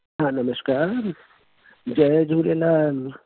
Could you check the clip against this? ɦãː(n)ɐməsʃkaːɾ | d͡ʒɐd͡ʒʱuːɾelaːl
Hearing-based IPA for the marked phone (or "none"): n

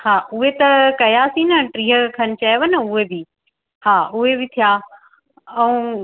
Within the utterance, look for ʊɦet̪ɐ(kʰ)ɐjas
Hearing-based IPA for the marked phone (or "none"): k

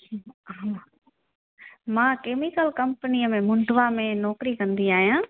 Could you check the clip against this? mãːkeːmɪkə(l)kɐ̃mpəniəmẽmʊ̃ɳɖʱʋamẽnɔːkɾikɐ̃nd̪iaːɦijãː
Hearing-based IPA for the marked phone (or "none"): l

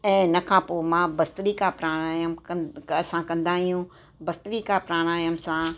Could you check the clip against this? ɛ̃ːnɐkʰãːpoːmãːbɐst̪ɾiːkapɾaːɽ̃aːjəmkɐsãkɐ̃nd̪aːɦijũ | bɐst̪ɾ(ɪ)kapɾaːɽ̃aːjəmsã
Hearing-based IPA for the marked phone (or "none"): i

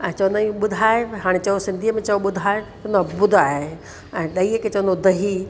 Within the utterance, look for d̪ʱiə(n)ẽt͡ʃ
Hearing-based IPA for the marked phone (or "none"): m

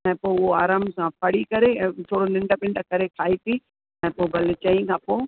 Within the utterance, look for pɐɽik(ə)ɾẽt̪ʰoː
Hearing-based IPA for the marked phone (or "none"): ɐ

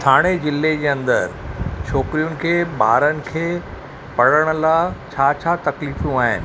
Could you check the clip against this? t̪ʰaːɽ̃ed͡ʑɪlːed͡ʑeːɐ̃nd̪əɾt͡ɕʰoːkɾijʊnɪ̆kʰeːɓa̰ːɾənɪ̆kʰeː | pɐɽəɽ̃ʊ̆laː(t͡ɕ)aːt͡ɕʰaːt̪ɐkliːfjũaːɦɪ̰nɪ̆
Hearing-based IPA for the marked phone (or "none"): t͡ɕʰ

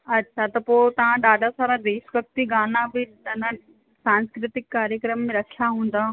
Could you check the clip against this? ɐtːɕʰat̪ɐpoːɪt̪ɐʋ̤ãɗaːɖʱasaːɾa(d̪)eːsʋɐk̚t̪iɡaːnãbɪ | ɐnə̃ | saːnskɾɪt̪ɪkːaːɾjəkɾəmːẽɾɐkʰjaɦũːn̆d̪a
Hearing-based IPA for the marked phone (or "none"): d̪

